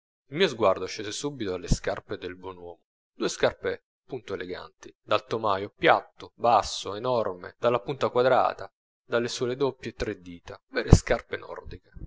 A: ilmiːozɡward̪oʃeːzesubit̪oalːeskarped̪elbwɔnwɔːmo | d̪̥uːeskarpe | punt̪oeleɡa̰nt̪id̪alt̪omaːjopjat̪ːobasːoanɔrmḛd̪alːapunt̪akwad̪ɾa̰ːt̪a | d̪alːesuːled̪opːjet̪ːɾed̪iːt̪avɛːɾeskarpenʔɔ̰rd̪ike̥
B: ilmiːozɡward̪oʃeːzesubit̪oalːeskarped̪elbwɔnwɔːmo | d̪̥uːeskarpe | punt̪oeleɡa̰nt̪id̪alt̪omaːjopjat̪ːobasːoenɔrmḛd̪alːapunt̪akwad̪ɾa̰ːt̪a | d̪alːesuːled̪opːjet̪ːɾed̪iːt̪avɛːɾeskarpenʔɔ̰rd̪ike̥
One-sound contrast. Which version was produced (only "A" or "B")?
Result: B